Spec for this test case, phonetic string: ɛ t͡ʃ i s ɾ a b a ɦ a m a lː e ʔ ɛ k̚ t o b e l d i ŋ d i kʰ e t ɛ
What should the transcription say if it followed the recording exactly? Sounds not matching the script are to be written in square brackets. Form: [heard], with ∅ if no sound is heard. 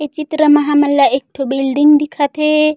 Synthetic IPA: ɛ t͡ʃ i [t] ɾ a [m] a ɦ a m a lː [a] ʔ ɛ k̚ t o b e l d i ŋ d i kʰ [a] t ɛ